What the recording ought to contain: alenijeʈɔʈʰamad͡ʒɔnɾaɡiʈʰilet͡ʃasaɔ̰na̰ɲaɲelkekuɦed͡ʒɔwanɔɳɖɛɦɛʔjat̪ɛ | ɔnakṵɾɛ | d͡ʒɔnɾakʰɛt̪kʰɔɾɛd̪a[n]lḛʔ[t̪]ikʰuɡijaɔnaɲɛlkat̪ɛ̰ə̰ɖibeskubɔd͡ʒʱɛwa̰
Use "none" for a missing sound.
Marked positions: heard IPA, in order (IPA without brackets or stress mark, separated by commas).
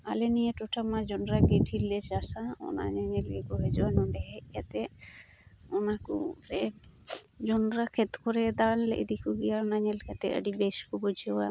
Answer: n, d̪